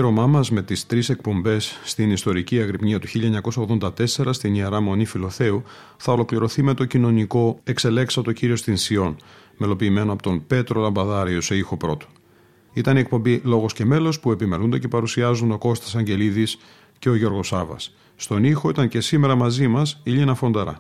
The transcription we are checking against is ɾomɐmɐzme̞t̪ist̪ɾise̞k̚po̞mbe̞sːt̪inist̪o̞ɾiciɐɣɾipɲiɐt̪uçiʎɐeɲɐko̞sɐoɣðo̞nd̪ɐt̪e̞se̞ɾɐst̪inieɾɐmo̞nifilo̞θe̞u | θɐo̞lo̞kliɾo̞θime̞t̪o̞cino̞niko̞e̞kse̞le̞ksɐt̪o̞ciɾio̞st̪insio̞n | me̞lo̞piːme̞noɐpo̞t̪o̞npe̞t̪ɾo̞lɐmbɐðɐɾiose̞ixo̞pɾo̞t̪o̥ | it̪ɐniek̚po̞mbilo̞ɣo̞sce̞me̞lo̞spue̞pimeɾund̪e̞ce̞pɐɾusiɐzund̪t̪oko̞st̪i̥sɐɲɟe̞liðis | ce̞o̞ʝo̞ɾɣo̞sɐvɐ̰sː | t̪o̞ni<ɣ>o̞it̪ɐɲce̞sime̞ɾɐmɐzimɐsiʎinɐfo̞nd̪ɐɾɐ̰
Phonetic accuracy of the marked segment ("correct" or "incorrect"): incorrect